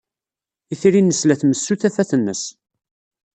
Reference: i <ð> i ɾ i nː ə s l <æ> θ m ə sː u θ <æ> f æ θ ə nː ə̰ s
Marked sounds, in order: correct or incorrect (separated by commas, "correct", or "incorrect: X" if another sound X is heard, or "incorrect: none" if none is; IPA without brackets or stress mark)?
incorrect: θ, correct, correct